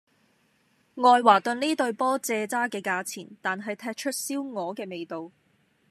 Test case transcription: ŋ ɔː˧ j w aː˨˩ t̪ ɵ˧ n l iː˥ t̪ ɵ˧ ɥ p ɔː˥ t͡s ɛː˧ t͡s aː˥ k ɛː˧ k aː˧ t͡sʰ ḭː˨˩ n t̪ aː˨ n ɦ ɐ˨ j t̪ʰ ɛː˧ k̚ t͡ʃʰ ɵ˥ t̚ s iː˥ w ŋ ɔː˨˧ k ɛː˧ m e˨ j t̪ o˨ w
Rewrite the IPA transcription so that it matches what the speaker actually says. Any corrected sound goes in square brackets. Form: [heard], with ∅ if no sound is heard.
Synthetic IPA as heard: ŋ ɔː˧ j w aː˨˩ t̪ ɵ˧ n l iː˥ t̪ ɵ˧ ɥ p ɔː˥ t͡s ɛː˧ t͡s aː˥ k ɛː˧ k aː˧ t͡sʰ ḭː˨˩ n t̪ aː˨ n ɦ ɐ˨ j t̪ʰ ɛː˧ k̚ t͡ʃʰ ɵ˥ t̚ s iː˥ w ŋ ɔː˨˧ k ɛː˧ m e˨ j t̪ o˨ w